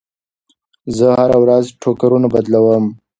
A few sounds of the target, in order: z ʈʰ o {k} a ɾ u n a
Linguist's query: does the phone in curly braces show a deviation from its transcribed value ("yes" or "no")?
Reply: no